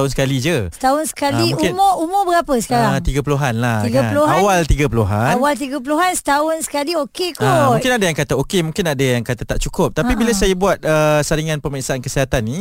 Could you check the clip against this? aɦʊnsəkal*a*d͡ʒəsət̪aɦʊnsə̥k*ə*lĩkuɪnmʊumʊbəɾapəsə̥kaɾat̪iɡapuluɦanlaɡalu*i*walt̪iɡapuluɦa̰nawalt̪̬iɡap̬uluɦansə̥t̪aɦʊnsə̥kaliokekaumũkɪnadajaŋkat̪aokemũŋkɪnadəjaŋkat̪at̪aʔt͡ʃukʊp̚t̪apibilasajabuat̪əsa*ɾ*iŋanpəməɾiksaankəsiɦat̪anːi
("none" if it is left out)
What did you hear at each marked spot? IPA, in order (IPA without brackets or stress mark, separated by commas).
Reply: i, a, a, ɾ